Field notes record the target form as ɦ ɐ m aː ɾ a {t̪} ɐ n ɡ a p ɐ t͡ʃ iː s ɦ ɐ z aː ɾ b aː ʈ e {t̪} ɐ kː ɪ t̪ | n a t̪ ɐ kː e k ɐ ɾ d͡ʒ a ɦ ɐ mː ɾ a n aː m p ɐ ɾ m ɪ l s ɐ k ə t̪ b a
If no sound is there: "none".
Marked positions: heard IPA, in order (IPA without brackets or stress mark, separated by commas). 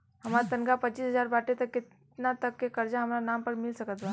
t̪, t̪